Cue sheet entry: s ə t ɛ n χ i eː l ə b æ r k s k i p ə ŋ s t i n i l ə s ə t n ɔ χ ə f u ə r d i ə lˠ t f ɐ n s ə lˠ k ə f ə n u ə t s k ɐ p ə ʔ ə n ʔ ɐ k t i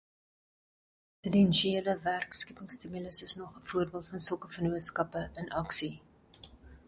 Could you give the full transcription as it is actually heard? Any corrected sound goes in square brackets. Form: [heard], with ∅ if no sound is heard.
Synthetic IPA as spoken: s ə [d] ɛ n [ʃ] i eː l ə [v] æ r k s k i p ə ŋ s t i [m] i l ə s ə [s] n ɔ χ ə f u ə r [b] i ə lˠ t f ɐ n s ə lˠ k ə f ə n u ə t s k ɐ p ə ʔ ə n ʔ ɐ k [s] i